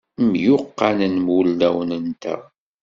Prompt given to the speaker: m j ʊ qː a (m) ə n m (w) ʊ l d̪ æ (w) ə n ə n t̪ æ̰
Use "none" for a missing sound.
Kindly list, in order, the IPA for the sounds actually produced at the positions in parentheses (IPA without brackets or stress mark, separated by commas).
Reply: n, w, w